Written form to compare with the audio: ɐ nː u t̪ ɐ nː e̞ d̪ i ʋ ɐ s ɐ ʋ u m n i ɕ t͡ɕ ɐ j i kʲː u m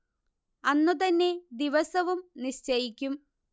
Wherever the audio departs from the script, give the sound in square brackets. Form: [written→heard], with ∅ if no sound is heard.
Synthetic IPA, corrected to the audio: ɐ nː u t̪ ɐ nː e̞ d̪ i ʋ ɐ s ɐ ʋ u m n i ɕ t͡ɕ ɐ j i kʲː u m